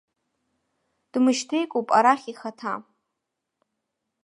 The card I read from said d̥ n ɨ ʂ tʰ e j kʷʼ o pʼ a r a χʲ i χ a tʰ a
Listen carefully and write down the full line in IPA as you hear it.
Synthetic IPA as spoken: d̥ m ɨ ʃ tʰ e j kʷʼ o pʼ a ɾ a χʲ i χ a tʰ a